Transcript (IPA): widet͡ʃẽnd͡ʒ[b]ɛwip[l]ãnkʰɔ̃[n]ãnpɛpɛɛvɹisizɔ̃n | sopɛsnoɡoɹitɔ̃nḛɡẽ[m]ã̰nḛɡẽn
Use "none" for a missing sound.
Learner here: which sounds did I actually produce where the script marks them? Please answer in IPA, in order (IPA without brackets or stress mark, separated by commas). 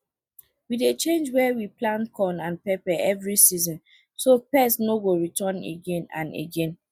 w, l, n, n